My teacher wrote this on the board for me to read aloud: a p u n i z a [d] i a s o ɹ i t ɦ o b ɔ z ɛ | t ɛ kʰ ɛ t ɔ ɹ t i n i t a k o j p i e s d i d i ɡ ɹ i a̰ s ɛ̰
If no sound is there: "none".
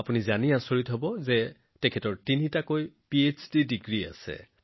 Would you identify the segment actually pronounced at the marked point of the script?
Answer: n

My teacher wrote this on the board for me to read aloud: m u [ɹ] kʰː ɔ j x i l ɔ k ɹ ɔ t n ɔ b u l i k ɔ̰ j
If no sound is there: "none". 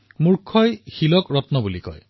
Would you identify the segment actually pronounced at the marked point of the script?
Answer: ɹ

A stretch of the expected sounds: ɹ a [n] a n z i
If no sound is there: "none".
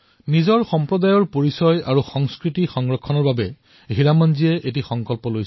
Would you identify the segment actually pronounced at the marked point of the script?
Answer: m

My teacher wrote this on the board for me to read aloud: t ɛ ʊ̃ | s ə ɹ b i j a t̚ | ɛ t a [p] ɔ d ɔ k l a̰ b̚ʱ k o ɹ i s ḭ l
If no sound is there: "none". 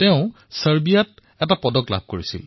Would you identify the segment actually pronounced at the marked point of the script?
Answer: p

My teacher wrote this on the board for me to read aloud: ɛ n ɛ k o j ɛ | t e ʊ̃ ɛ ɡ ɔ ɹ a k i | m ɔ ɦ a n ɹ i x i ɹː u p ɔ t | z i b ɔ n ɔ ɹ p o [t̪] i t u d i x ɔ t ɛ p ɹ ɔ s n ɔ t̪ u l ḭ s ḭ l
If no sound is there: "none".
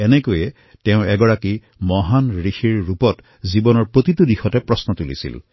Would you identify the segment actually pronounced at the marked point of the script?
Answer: t̪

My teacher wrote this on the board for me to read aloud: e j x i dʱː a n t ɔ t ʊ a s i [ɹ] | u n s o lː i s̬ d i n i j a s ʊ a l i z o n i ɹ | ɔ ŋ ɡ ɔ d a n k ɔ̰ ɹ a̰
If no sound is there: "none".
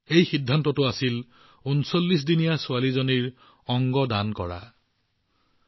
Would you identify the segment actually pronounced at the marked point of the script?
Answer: l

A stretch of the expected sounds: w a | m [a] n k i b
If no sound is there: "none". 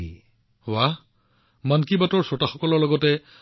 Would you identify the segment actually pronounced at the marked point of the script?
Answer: a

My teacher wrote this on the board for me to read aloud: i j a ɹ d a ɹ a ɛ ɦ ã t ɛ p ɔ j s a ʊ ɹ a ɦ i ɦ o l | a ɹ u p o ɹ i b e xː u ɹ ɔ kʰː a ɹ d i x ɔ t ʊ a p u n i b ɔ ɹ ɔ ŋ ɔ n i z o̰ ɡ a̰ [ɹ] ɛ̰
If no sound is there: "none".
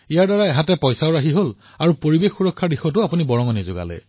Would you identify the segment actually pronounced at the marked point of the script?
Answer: l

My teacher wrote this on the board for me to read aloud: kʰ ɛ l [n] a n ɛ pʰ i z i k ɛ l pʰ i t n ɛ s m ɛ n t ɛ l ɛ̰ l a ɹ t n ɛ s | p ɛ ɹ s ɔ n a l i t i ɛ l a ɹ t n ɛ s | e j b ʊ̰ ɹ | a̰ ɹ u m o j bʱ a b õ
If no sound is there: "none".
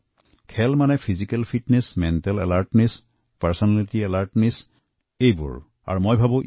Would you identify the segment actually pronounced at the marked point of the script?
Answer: m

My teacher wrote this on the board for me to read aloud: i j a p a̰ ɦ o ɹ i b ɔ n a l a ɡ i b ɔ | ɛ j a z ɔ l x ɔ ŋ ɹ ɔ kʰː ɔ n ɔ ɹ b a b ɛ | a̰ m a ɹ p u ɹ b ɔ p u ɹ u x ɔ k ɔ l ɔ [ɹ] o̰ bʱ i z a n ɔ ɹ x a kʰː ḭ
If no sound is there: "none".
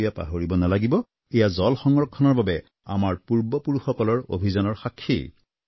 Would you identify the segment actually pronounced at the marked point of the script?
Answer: ɹ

